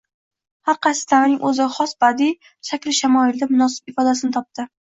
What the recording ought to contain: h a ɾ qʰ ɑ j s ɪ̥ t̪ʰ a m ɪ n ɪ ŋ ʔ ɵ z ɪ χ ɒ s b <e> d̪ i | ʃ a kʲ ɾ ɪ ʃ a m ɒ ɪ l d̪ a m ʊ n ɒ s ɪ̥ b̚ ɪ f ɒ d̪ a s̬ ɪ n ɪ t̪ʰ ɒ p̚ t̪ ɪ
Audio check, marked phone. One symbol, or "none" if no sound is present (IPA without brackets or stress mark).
a